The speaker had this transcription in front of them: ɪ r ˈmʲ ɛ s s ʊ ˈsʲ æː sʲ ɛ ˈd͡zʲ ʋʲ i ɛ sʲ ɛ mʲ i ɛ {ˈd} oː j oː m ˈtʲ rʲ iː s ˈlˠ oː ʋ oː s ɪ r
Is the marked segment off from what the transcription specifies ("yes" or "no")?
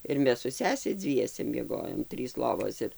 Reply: yes